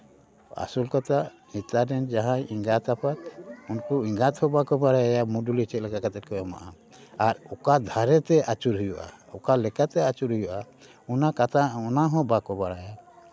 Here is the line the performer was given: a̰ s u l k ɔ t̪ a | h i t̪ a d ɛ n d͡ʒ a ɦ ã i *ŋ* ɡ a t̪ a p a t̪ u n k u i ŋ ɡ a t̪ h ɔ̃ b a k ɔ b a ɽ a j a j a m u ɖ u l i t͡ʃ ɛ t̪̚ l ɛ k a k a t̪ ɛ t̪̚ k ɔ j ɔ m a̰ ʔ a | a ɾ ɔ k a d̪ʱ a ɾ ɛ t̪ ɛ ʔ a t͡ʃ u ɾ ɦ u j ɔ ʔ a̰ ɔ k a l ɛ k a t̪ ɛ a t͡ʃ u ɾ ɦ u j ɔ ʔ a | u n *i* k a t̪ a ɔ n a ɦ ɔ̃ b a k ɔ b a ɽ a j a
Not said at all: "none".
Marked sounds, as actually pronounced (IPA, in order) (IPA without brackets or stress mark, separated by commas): ŋ, a